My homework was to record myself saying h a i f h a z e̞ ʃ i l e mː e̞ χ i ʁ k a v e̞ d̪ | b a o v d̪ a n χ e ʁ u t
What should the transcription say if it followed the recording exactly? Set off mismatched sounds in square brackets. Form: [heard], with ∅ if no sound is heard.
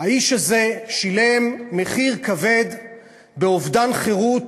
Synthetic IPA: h a i [ʃ] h a z e̞ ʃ i l e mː e̞ χ i ʁ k a v e̞ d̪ | b [e] o v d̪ a n χ e ʁ u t

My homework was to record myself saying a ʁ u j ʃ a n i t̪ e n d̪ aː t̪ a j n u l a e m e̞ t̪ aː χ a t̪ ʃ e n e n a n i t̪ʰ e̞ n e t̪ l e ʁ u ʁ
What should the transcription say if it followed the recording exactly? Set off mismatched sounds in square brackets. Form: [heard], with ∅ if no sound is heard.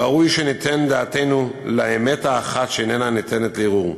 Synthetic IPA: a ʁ u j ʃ [e] n i t̪ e n d̪ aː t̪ [e] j n u l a e m e̞ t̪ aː χ a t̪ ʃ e n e n a n i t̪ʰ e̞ n e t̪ l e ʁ u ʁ

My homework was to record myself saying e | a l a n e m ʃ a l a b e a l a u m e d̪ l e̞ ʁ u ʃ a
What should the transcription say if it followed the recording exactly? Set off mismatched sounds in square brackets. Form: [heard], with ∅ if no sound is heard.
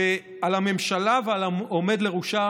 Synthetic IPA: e | a l a [m] e m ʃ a l a [v] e a l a [o] m e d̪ l e̞ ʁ u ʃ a

